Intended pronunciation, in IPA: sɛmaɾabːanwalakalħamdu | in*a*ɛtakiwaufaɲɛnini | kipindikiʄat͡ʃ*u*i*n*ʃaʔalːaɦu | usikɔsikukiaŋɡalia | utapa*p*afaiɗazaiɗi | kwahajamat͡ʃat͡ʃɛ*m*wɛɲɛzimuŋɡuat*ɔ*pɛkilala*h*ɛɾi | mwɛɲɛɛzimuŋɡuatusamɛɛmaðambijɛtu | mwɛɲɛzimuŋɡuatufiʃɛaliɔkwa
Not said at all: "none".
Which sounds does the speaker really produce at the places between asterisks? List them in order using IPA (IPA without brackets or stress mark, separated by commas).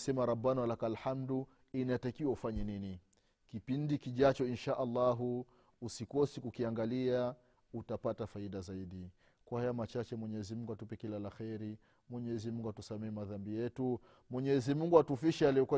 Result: a, ɔ, n, t, m, u, x